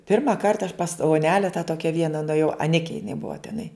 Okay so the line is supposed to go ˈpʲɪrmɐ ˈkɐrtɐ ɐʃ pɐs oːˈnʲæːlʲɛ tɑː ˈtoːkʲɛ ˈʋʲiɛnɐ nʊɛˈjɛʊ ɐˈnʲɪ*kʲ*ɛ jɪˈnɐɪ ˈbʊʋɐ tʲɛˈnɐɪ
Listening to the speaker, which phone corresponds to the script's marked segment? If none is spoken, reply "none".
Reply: kʲ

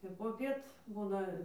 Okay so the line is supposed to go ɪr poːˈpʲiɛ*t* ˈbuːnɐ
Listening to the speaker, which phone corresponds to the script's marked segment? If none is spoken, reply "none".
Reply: t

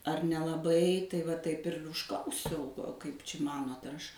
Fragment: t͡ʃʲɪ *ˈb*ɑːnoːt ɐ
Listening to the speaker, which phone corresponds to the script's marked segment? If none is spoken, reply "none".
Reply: m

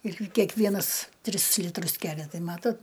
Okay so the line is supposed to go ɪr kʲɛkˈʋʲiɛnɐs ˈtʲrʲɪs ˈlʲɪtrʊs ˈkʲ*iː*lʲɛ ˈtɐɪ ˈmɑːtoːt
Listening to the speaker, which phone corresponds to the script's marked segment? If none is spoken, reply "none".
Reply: æː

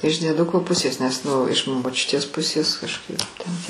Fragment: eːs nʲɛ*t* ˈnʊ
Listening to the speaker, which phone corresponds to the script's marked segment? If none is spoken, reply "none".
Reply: s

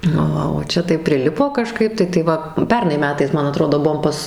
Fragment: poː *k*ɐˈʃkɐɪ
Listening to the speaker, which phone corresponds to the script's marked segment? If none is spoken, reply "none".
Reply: k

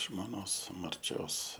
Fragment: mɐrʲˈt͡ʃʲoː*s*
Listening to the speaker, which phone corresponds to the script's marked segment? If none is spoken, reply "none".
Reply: s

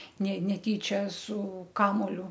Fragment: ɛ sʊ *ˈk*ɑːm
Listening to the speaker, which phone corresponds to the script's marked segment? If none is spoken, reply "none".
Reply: k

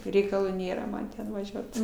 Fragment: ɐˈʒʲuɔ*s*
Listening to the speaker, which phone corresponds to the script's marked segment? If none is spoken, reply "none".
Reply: t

